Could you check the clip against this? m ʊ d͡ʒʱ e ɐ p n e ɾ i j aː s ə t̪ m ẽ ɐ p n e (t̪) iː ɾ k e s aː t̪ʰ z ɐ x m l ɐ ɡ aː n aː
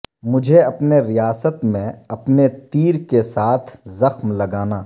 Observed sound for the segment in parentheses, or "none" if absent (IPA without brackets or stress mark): t̪